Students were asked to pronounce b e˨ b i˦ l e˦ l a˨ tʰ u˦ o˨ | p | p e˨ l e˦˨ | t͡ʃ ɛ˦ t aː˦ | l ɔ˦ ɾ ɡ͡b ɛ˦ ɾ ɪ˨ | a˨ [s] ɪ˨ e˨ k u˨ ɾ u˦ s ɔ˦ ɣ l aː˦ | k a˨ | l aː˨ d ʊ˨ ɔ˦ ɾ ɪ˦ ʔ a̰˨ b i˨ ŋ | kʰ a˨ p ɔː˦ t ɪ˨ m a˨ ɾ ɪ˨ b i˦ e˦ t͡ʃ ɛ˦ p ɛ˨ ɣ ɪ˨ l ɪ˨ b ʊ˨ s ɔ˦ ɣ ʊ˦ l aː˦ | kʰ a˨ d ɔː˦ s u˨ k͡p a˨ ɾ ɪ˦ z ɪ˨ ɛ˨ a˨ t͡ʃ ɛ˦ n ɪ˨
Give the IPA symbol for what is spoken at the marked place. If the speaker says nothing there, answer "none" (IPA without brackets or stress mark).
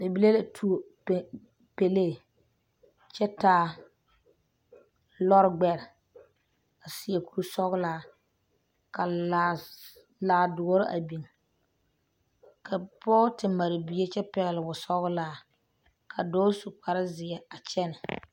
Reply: s